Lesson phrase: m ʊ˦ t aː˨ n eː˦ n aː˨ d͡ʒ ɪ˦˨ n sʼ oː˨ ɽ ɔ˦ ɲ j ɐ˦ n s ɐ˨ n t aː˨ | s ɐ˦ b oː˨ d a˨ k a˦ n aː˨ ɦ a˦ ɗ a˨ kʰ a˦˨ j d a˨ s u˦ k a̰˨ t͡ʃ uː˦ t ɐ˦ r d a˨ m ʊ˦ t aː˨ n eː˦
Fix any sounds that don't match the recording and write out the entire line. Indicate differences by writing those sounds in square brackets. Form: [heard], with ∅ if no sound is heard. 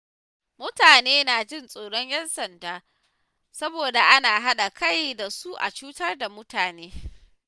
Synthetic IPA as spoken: m ʊ˦ t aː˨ n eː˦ n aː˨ d͡ʒ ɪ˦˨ n sʼ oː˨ ɽ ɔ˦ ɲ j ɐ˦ n s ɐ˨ n [d] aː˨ | s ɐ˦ b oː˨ d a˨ [ʔ] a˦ n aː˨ ɦ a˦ ɗ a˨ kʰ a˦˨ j d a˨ s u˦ [ʔ] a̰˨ t͡ʃ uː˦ t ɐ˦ r d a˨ m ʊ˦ t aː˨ n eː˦